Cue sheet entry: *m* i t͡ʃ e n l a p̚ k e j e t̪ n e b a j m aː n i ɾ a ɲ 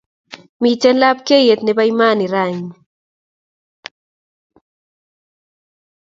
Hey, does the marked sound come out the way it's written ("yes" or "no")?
yes